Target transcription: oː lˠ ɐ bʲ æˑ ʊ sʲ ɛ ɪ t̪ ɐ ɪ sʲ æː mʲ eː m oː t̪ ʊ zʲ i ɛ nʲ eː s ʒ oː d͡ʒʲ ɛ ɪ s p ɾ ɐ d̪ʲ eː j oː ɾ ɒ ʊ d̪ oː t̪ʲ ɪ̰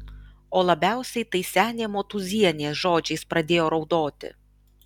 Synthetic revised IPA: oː lˠ ɐ bʲ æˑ ʊ sʲ ɛ ɪ t̪ ɐ ɪ sʲ æː nʲ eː m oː t̪ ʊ zʲ i ɛ nʲ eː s ʒ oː d͡ʒʲ ɛ ɪ s p ɾ ɐ d̪ʲ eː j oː ɾ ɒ ʊ d̪ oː t̪ʲ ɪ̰